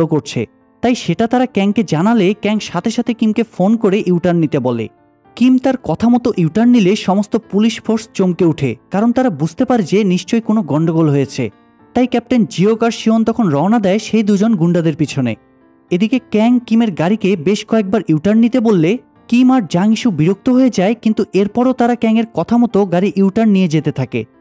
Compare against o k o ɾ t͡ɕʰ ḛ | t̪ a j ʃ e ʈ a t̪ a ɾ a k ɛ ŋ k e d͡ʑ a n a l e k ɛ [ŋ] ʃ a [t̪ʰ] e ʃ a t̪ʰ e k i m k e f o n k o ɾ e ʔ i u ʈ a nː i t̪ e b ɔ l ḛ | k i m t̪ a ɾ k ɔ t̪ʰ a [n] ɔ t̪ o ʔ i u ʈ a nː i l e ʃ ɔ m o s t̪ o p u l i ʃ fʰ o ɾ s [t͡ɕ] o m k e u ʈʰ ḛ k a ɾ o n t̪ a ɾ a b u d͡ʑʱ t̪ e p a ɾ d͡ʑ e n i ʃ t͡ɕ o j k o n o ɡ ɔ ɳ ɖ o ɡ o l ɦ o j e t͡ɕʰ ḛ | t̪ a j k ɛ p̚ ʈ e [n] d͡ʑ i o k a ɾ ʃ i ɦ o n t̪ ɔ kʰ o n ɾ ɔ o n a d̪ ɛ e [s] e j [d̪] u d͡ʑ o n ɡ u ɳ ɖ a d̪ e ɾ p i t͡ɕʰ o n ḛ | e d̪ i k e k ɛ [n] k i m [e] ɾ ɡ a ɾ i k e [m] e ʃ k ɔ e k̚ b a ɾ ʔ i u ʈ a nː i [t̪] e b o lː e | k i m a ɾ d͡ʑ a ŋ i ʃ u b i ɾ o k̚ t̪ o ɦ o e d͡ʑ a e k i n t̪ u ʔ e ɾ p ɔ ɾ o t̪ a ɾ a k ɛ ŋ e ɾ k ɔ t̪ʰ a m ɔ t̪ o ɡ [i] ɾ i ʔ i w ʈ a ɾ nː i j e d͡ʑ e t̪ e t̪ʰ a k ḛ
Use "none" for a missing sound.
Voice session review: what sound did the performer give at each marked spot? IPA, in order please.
ŋ, t̪ʰ, m, t͡ɕ, n, ʃ, d̪, ŋ, e, b, t̪, a

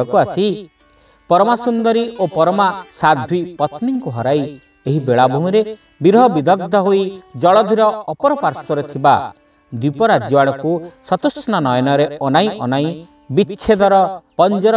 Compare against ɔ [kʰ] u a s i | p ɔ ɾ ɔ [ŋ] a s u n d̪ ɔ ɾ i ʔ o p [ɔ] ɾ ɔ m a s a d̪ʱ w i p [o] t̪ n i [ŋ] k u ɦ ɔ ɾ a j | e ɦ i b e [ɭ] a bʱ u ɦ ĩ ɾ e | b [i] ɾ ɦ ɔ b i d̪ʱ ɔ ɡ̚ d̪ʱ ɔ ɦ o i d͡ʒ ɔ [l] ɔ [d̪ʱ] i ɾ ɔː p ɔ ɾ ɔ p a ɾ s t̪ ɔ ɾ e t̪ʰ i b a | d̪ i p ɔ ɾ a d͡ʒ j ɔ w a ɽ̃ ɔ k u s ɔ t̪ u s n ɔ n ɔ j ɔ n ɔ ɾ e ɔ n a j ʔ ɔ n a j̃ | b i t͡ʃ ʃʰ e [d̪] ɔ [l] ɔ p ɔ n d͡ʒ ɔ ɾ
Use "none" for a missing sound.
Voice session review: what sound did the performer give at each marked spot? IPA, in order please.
k, m, ɔ, ɔ, ŋ, ɭ, i, ɭ, d̪ʱ, d̪, ɾ

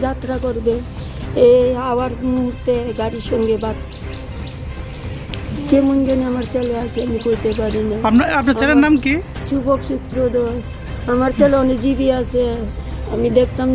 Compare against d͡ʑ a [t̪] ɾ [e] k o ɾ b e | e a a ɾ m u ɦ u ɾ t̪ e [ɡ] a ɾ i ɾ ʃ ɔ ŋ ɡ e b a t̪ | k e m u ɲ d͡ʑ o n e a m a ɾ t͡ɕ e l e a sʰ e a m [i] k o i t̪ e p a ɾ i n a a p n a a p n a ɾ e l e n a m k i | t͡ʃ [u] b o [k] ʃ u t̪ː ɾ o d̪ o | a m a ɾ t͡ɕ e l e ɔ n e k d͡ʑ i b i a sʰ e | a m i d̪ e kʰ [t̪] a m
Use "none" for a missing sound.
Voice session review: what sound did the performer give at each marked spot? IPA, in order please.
t̪, a, ɡ, i, u, k, t̪

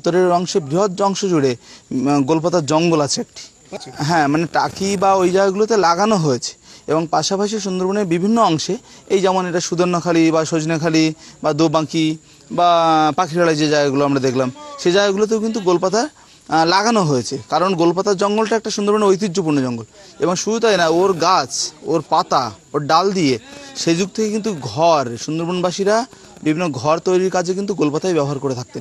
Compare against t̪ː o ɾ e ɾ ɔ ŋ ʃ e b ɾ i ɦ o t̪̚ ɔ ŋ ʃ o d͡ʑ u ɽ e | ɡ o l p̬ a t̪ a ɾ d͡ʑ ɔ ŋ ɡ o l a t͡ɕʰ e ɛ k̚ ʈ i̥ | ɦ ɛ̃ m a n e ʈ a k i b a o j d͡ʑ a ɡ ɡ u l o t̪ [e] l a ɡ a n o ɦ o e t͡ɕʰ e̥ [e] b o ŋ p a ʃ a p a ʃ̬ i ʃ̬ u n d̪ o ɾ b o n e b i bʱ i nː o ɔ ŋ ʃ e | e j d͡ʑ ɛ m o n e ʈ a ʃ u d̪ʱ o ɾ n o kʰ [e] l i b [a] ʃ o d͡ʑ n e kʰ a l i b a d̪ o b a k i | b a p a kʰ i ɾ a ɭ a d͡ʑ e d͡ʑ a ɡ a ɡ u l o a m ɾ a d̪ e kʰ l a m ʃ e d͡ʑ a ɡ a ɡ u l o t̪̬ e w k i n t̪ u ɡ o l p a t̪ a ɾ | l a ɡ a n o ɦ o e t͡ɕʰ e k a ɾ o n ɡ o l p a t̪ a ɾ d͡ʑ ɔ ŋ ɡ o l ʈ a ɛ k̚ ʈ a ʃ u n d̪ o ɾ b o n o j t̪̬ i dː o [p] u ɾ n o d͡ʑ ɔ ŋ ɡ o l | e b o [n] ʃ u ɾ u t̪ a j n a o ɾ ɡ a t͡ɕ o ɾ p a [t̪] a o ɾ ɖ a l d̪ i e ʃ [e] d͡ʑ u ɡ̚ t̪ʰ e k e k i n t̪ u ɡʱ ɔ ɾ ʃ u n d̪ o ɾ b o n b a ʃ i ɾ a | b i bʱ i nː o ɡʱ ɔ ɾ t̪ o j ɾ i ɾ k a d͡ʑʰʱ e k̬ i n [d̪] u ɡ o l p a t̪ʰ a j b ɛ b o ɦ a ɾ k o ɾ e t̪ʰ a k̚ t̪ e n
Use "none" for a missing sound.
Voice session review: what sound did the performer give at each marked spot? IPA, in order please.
e, e, a, a, p, ŋ, t̪, e, t̪

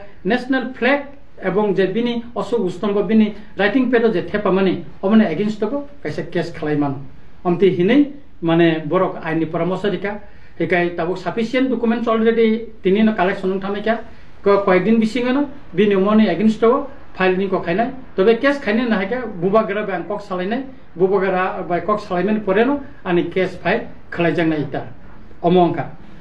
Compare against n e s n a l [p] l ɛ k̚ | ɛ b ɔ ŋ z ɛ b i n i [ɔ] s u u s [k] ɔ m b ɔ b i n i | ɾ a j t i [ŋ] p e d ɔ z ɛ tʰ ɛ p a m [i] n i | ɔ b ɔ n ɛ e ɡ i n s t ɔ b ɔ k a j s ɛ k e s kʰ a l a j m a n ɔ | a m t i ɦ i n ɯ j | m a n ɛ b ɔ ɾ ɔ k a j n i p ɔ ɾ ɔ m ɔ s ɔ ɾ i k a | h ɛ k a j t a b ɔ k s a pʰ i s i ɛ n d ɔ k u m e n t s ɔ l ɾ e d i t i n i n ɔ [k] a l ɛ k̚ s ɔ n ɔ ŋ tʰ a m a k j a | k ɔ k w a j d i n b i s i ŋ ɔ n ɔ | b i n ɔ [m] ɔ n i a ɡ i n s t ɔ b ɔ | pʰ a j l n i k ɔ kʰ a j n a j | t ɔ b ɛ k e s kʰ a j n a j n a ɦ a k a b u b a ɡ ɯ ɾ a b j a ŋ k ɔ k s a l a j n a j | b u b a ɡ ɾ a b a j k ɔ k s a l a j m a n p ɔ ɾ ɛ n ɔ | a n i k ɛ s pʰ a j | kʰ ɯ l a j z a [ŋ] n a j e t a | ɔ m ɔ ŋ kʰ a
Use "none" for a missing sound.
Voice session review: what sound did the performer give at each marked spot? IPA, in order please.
pʰ, ɔ, t, ŋ, a, k, m, ŋ

